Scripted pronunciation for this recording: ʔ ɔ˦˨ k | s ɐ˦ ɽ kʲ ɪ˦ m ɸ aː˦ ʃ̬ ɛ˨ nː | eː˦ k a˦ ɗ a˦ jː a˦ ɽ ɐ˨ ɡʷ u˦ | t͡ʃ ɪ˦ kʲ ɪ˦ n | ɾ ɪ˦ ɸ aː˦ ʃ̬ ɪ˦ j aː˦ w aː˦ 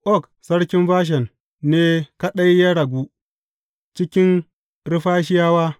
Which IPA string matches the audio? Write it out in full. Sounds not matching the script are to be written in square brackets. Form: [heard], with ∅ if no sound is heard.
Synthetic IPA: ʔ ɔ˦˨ k | s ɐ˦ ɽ kʲ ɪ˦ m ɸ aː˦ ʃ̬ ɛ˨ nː | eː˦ k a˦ ɗ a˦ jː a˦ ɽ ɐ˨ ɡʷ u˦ | t͡ʃ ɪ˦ kʲ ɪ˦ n | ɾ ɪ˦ ɸ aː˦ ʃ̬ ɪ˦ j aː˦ w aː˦